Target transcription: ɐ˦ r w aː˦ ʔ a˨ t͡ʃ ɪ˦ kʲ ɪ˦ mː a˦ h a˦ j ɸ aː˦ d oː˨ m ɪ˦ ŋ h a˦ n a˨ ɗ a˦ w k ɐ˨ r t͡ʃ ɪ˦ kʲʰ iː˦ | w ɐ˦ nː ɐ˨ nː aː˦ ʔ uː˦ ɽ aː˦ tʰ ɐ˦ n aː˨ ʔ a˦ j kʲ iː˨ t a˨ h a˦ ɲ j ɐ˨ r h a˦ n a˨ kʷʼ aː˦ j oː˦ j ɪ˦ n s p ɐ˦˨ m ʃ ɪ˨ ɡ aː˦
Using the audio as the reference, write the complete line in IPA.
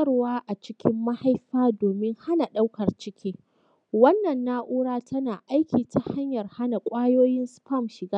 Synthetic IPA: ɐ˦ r w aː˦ ʔ a˨ t͡ʃ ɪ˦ kʲ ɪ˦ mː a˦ h a˦ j ɸ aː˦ d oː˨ m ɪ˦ ŋ h a˦ n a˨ ɗ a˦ w k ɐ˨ r t͡ʃ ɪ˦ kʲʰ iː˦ | w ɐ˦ nː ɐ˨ nː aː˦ ʔ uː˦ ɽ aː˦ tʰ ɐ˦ n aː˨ ʔ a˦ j kʲ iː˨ t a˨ h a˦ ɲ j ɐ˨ r h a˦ n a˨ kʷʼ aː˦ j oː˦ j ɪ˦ n s p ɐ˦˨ m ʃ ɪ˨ ɡ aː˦